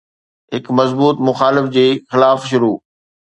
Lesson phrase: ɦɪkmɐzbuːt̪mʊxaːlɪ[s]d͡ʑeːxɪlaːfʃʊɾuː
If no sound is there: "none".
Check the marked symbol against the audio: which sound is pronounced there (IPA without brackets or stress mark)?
f